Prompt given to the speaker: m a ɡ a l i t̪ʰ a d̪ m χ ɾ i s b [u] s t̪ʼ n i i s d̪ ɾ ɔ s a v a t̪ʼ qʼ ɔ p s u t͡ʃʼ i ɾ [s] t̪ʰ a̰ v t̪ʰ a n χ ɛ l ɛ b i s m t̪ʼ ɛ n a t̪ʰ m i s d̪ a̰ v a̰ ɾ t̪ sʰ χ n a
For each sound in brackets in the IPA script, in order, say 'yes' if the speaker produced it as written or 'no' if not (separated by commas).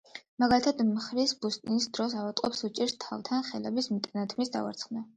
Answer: yes, yes